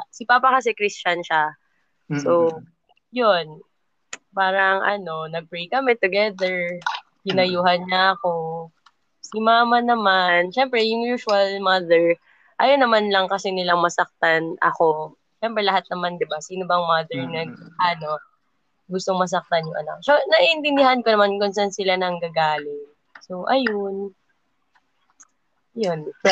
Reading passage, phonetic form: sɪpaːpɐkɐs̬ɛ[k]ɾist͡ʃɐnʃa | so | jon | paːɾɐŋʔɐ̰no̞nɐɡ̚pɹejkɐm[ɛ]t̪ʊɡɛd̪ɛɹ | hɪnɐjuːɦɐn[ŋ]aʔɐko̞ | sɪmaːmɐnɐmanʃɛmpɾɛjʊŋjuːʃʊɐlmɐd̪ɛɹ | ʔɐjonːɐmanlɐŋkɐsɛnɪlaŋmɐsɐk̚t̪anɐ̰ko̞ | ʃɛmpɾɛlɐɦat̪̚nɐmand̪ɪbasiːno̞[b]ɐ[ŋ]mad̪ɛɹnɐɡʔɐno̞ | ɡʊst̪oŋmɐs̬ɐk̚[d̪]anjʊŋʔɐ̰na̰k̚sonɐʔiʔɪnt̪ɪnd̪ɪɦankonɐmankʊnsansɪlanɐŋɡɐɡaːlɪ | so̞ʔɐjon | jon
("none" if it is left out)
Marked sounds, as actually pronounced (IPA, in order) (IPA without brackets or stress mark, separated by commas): k, ɛ, ɲ, b, ŋ, t̪